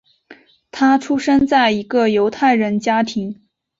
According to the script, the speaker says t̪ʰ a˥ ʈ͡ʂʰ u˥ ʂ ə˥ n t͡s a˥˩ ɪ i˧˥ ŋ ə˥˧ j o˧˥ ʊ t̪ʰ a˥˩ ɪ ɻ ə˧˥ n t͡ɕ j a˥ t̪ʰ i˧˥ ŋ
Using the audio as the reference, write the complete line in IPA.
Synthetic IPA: t̪ʰ a˥ ʈ͡ʂʰ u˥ ʂ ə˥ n t͡s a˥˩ ɪ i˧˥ ɡ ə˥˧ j o˧˥ ʊ t̪ʰ a˥˩ ɪ ɻ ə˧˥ n t͡ɕ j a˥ t̪ʰ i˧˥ ŋ